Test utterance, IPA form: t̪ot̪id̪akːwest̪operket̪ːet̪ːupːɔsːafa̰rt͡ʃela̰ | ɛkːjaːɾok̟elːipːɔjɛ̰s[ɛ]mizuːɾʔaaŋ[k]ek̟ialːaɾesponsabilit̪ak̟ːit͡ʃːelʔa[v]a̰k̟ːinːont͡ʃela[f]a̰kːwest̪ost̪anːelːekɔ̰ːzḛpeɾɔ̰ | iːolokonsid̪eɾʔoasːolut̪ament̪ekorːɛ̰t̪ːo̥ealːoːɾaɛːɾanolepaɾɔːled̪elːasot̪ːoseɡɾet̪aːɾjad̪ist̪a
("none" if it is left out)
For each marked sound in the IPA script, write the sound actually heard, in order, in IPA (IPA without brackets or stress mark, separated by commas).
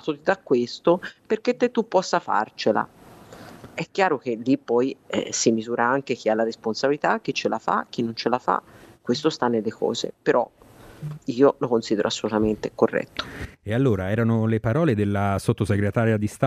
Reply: i, k, f, f